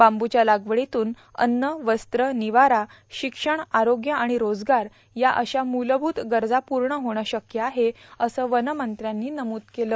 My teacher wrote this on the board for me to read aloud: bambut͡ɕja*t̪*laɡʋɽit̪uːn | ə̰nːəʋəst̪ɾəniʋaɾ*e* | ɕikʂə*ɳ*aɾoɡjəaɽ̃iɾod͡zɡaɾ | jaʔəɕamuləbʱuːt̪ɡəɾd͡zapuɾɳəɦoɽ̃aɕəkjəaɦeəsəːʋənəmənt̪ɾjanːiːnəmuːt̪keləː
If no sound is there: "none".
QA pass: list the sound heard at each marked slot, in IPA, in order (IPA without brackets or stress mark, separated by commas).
none, a, ɳ